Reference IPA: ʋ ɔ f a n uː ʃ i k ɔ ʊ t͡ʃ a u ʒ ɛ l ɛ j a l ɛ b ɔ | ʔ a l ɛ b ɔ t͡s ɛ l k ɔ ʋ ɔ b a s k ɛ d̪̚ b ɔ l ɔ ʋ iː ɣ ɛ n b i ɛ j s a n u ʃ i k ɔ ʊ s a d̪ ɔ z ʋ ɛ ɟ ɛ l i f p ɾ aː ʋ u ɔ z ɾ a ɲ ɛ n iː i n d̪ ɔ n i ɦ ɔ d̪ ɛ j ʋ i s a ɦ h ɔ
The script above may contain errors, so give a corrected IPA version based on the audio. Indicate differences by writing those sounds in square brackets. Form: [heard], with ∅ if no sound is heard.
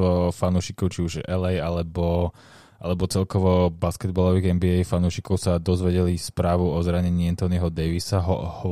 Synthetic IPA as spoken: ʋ ɔ f a n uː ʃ i k ɔ ʊ t͡ʃ [i] u ʒ ɛ l ɛ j a l ɛ b ɔ | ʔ a l ɛ b ɔ t͡s ɛ l k ɔ ʋ ɔ b a s k ɛ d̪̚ b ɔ l ɔ ʋ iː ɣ ɛ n b i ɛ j [f] a n u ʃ i k ɔ ʊ s a d̪ ɔ z ʋ ɛ ɟ ɛ l i [s] p ɾ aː ʋ u ɔ z ɾ a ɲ ɛ [ɲ] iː [ɛ] n [t̪] ɔ n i ɦ ɔ d̪ ɛ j ʋ i s a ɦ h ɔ